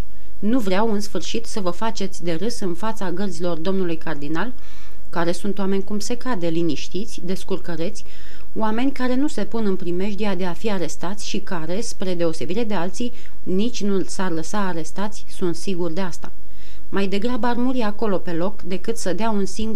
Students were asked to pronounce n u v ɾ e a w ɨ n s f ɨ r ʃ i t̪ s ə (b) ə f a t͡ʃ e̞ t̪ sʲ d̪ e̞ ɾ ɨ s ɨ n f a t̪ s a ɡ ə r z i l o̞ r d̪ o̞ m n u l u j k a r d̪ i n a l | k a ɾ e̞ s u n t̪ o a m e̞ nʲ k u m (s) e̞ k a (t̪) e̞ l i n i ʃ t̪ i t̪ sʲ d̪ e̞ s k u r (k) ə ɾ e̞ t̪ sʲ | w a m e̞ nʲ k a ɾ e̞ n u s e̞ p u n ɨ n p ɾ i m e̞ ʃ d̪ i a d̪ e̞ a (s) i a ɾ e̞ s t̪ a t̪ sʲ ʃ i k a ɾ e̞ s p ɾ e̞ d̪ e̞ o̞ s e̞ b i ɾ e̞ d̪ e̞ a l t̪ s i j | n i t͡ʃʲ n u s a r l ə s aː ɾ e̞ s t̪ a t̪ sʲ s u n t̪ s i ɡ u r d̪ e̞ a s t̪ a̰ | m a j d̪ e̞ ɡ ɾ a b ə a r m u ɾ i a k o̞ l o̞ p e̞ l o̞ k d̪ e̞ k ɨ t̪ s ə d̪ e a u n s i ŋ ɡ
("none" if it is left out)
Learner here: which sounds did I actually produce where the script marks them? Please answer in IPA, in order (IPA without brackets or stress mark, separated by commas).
v, s, d̪, k, f